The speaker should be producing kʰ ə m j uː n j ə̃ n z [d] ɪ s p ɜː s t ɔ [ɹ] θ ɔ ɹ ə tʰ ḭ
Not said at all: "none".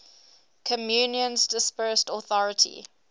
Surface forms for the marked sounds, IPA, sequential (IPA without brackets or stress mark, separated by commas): d, none